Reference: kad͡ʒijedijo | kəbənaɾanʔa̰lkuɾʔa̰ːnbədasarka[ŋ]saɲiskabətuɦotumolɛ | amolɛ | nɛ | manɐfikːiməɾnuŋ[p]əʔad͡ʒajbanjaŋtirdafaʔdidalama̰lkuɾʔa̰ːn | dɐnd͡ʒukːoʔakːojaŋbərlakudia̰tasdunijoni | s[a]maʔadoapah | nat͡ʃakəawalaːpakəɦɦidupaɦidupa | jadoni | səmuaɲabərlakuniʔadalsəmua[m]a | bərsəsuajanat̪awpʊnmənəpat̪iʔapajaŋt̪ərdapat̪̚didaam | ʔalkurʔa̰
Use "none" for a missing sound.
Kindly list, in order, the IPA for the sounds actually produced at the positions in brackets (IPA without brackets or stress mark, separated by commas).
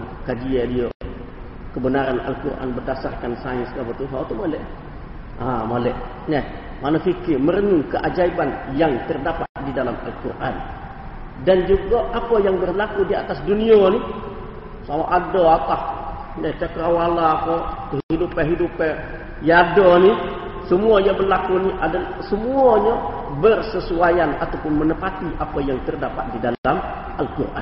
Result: n, k, a, ɲ